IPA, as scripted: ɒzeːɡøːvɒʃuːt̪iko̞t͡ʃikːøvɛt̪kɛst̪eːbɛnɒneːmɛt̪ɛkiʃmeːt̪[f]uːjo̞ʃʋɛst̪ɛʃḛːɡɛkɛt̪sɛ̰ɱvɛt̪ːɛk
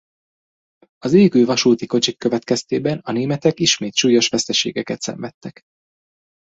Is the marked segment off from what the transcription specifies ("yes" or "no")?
yes